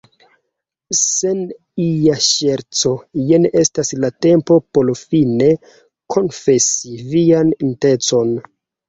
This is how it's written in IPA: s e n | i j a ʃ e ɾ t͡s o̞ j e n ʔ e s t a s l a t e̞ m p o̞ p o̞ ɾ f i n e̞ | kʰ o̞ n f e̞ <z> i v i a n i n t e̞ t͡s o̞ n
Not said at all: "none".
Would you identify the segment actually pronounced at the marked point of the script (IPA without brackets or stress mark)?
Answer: s